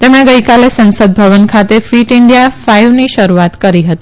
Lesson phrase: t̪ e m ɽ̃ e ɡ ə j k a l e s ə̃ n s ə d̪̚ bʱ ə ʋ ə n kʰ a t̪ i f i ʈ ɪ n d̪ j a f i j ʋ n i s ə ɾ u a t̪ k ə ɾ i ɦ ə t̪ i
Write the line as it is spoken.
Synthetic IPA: t̪ e m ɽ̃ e ɡ ə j k a l e s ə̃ n s ə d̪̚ bʱ ə ʋ ə n kʰ a t̪ e f i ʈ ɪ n d̪ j a f a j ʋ n i ʃ ə ɾ u a t̪ k ə ɾ i ɦ ə t̪ i